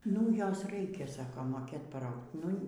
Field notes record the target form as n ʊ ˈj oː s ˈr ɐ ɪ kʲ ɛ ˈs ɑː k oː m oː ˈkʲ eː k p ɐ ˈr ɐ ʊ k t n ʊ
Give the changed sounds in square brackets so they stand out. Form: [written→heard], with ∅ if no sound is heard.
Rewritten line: n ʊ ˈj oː s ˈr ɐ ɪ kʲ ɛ ˈs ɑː k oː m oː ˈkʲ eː [k→t] p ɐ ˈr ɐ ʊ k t n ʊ